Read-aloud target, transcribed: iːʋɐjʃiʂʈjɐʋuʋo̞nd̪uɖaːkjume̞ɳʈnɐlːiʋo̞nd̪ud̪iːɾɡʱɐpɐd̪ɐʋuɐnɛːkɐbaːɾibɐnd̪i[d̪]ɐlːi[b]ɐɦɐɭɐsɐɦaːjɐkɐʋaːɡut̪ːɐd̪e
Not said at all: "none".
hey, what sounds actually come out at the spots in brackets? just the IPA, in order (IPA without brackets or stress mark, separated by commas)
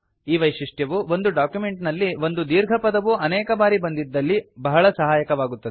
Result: d̪ː, b